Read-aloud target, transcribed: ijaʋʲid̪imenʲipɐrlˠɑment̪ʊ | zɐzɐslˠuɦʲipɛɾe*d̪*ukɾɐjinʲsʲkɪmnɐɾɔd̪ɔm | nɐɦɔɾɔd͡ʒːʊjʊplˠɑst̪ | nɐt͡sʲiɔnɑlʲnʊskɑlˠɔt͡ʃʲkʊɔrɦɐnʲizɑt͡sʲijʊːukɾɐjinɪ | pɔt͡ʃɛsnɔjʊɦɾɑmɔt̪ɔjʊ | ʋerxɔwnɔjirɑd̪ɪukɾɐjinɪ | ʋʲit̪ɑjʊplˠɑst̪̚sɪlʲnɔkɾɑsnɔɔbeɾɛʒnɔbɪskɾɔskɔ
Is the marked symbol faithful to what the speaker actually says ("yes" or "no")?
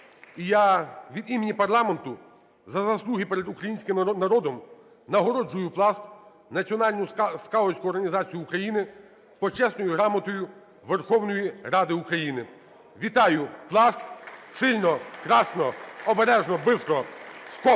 yes